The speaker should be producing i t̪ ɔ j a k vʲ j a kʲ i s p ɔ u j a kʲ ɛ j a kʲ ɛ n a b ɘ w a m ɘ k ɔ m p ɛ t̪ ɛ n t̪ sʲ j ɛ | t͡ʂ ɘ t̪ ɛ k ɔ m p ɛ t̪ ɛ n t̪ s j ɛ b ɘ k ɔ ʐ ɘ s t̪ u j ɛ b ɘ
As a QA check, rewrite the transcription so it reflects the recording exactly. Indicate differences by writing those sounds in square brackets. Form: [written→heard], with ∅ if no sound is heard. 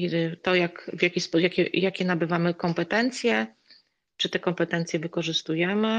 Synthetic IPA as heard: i t̪ ɔ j a k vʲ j a kʲ i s p ɔ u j a kʲ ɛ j a kʲ ɛ n a b ɘ [w→v] a m ɘ k ɔ m p ɛ t̪ ɛ n t̪ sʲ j ɛ | t͡ʂ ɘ t̪ ɛ k ɔ m p ɛ t̪ ɛ n t̪ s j ɛ [b→v] ɘ k ɔ ʐ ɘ s t̪ u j ɛ [b→m] ɘ